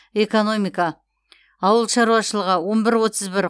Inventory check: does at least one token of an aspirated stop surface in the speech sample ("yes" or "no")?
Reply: no